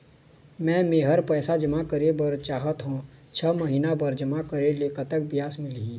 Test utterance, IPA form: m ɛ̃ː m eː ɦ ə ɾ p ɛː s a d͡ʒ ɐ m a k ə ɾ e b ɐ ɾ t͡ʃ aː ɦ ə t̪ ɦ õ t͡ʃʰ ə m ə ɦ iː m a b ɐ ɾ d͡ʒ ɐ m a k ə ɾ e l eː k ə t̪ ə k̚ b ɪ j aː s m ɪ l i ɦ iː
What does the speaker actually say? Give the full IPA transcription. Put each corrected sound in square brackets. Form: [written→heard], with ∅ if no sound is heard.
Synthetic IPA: m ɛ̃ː m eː ɦ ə ɾ p ɛː s a d͡ʒ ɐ m a k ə ɾ e b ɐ ɾ t͡ʃ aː ɦ ə t̪ ɦ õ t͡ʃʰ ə m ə ɦ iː [m→n] a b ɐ ɾ d͡ʒ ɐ m a k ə ɾ e l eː k ə t̪ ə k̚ b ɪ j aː s m ɪ l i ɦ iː